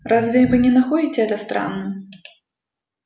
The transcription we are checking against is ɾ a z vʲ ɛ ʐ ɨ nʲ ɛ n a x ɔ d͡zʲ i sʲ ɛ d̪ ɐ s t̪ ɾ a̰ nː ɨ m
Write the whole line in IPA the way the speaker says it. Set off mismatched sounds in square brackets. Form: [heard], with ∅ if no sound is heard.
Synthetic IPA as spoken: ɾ a z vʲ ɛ [v] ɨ nʲ ɛ n a x ɔ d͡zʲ i [t͡sʲ] ɛ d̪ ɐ s t̪ ɾ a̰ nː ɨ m